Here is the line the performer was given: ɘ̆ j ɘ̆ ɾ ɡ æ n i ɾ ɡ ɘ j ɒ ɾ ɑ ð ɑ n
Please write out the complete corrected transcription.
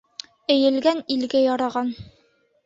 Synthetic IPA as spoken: ɘ̆ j ɘ̆ l ɡ æ n i l ɡ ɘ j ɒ ɾ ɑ ʁ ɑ n